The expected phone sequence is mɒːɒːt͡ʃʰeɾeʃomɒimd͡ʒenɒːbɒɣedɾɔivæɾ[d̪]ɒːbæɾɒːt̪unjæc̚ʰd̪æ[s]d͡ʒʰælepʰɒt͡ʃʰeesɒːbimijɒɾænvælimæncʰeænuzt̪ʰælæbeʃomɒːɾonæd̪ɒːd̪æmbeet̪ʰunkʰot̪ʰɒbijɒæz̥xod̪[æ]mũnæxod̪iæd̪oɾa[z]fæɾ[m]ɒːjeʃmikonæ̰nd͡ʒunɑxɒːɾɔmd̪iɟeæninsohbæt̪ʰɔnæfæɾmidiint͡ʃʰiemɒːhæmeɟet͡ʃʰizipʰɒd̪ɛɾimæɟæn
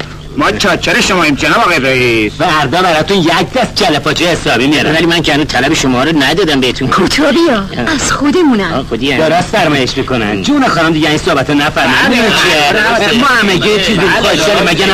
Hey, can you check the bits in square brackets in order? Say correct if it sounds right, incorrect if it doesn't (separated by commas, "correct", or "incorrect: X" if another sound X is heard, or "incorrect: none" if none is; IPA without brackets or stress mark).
correct, correct, incorrect: e, incorrect: s, correct